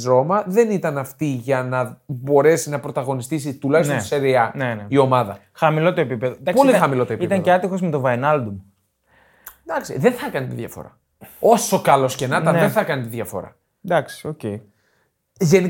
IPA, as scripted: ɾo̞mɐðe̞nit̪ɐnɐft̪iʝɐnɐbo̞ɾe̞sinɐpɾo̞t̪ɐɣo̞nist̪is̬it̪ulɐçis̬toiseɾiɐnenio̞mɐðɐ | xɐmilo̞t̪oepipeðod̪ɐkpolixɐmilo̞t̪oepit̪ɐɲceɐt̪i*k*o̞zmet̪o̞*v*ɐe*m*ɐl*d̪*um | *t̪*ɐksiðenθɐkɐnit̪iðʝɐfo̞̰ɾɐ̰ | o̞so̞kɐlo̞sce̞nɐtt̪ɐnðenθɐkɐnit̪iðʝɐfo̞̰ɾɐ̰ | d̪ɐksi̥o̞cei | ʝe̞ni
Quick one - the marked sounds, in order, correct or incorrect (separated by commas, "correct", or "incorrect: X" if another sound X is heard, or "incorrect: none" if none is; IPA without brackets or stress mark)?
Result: incorrect: x, correct, incorrect: n, correct, incorrect: d̪